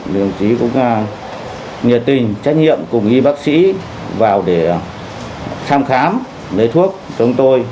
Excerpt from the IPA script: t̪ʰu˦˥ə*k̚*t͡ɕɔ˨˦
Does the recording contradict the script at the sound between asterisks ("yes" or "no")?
no